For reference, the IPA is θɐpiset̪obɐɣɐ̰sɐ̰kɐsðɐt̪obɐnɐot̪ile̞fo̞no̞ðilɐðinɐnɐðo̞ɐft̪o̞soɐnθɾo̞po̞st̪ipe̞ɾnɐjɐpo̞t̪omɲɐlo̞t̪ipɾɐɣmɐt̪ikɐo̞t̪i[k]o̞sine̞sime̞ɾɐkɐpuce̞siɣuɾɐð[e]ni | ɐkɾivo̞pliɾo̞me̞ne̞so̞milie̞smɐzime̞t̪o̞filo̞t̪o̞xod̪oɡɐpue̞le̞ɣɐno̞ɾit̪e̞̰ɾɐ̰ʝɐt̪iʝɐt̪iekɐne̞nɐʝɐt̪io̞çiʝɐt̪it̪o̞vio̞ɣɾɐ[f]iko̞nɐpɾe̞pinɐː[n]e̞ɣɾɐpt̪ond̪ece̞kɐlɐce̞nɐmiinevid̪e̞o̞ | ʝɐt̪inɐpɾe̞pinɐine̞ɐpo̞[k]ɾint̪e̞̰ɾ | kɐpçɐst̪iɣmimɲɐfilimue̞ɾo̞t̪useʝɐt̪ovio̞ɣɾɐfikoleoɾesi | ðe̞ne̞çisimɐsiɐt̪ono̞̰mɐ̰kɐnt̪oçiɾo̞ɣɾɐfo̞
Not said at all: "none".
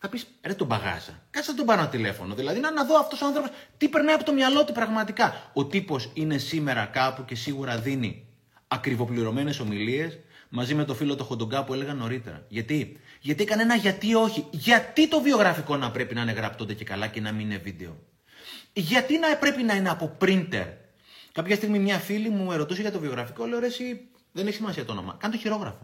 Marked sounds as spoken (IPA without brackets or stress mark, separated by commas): p, i, f, n, p